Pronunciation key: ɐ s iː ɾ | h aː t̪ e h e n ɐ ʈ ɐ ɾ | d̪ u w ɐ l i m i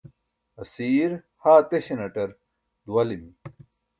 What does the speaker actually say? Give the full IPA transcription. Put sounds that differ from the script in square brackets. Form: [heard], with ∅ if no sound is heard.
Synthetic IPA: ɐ s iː ɾ | h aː t̪ e [ɕ] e n ɐ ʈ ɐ ɾ | d̪ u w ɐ l i m i